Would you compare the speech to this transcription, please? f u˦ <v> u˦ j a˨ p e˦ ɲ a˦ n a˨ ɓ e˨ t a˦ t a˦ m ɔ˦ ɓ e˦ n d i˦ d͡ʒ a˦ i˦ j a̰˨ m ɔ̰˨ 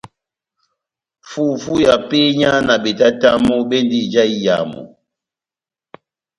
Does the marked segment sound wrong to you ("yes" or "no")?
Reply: yes